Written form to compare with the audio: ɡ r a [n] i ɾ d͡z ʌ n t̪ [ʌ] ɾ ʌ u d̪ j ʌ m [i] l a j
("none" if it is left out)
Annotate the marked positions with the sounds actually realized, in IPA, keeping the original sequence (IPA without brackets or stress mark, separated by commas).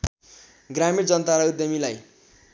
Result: m, a, i